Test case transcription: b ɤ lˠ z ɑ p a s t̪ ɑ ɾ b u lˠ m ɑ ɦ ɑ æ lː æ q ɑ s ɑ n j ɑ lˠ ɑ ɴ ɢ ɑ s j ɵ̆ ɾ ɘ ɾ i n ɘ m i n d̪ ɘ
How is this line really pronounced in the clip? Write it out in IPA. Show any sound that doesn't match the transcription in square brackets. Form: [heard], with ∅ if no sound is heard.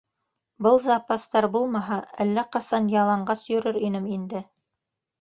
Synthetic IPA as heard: b ɤ lˠ z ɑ p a s t̪ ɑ ɾ b u lˠ m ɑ ɦ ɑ æ lː æ q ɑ s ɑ n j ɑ lˠ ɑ ɴ ɢ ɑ s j ɵ̆ ɾ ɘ ɾ i n ɘ m i n d̪ ɘ